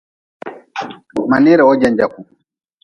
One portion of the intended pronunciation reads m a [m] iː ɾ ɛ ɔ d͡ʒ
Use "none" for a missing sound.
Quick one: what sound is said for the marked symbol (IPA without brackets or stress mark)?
n